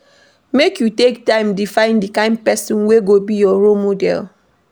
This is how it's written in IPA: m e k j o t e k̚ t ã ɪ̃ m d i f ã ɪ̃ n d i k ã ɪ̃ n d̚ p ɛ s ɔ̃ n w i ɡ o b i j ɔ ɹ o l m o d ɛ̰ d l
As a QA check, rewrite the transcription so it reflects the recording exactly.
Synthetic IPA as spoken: m e k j u t e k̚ t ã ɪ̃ m d i f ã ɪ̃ n d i k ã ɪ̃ n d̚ p ɛ s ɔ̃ n w e ɡ o b i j ɔ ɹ o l m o d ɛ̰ l

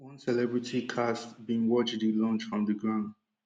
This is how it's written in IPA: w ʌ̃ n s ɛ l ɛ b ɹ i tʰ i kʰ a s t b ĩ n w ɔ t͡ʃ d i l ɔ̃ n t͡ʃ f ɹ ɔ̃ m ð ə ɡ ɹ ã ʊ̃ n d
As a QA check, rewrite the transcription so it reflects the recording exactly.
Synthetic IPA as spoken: w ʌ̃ n s ɛ l ɛ b ɹ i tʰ i kʰ a s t b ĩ n w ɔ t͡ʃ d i l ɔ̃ n t͡ʃ f ɹ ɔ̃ m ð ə ɡ ɹ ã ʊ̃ n d

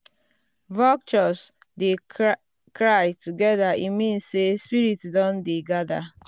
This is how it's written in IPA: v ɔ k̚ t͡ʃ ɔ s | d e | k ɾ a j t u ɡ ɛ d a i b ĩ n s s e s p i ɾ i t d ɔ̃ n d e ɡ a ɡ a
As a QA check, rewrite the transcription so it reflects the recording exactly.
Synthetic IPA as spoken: v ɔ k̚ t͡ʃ ɔ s | d e | k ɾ a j t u ɡ ɛ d a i m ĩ n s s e s p i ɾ i t d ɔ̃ n d e ɡ a d a

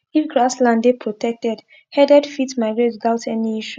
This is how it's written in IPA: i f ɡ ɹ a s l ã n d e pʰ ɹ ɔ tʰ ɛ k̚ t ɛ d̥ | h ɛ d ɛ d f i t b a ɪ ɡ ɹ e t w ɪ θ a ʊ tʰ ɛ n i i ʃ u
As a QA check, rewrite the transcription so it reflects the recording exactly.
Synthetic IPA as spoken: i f ɡ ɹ a s l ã n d e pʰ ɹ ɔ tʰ ɛ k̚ t ɛ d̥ | h ɛ d ɛ d f i t m a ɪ ɡ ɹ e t w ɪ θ a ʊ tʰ ɛ n i i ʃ u

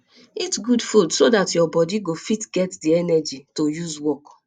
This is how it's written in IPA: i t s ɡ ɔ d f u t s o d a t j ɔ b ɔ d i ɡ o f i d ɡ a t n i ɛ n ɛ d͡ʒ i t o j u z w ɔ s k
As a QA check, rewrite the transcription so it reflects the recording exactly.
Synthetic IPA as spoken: i t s ɡ u d f u d s o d a t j ɔ b ɔ d i ɡ o f i t ɡ ɛ t d i ɛ n ɛ d͡ʒ i t o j u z w ɔ k

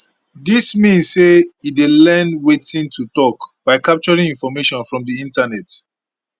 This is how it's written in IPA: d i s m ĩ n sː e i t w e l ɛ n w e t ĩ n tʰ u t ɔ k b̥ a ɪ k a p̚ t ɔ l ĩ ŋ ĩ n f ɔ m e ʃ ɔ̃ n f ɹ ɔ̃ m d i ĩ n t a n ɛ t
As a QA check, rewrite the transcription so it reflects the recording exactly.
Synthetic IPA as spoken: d i s m ĩ n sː e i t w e l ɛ n w e t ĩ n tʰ u t ɔ k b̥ a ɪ k a p̚ t͡ʃ ɔ ɹ ĩ ŋ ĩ n f ɔ m e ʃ ɔ̃ n f ɹ ɔ̃ m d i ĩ n t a n ɛ t

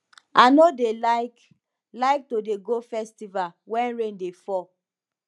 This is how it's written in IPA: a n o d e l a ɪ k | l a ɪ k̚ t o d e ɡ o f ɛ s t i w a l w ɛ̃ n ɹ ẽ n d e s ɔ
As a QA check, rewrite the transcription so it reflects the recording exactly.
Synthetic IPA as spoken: a n o d e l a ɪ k | l a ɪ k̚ t o d e ɡ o f ɛ s t i v a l w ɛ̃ n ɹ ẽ n d e f ɔ

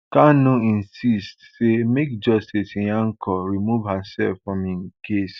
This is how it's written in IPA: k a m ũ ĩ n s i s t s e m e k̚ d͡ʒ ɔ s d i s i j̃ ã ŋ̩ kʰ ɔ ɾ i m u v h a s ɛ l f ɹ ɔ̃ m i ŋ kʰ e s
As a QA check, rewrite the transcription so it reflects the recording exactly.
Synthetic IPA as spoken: k a n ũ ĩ n s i s t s e m e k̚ d͡ʒ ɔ s t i s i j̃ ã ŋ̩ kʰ ɔ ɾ i m u v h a s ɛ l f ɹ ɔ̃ m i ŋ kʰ e s

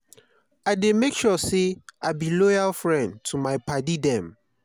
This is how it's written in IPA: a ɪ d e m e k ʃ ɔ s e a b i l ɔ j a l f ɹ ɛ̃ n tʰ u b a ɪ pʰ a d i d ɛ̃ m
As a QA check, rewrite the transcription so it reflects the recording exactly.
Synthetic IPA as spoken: a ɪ d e m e k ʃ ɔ s e a b i l ɔ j a l f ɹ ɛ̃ n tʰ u m a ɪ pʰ a d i d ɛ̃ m

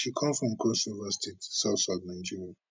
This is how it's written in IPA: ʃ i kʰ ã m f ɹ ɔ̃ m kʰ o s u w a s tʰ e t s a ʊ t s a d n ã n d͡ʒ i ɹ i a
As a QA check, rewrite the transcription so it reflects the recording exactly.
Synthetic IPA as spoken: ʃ i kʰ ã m f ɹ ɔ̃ m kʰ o s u v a s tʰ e t s a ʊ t s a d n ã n d͡ʒ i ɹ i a

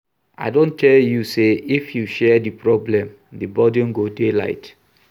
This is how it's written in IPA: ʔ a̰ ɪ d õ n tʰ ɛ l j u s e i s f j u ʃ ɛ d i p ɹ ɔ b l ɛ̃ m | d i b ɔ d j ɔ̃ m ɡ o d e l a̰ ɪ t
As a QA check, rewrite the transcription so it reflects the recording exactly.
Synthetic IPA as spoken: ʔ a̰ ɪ d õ n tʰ ɛ l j u s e i f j u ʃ ɛ d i p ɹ ɔ b l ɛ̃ m | d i b ɔ d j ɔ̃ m ɡ o d e l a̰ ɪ t

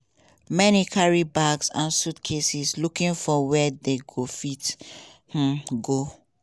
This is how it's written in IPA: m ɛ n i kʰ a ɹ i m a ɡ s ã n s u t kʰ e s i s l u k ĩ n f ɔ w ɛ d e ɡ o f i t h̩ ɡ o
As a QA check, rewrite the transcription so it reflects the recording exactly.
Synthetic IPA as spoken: m ɛ n i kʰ a ɹ i b a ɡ s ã n s u t kʰ e s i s l u k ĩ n f ɔ w ɛ d e ɡ o f i t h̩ ɡ o

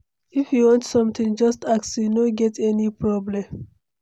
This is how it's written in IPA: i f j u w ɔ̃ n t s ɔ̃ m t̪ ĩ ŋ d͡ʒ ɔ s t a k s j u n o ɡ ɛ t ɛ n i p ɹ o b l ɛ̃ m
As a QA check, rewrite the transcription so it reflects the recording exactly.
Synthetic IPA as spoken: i f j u w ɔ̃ n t s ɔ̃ m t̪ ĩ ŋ d͡ʒ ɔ s t a k s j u n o ɡ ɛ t ɛ n i p ɹ ɔ b l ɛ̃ m

